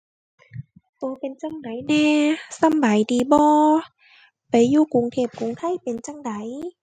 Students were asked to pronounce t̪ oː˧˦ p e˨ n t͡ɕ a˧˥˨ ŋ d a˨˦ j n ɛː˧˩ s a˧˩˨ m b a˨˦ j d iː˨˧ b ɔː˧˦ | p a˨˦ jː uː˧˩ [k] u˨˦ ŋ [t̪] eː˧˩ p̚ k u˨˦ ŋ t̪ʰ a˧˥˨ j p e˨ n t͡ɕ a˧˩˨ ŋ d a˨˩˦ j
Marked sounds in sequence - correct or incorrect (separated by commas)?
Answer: correct, incorrect